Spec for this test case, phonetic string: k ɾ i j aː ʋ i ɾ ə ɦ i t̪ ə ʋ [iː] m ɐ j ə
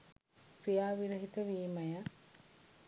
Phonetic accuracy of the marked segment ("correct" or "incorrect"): correct